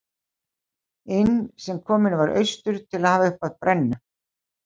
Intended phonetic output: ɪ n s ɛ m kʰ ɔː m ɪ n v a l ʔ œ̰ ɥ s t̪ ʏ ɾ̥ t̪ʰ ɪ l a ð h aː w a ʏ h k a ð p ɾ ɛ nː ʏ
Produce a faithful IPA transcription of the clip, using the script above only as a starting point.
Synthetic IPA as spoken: ɪ n s ɛ m kʰ ɔː m ɪ n v a ɾ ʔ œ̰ ɥ s t̪ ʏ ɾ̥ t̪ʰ ɪ l a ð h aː v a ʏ h p a ð p ɾ ɛ nː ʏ